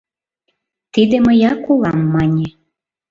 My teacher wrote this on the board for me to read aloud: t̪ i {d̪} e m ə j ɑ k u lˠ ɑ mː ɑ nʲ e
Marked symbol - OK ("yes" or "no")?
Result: yes